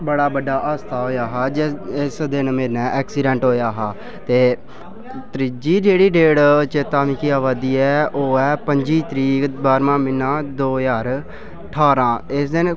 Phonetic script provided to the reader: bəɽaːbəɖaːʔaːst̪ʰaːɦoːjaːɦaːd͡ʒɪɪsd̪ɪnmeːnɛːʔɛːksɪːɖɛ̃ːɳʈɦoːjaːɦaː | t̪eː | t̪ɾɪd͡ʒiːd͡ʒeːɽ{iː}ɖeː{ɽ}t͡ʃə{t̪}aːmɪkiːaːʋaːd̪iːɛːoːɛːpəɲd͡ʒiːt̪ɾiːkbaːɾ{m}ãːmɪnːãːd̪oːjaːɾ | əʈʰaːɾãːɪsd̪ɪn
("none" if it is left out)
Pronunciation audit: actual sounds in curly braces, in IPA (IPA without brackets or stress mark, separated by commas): iː, ɽ, t̪, m